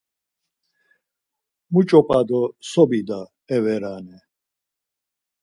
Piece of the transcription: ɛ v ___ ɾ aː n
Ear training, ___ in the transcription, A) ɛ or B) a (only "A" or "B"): A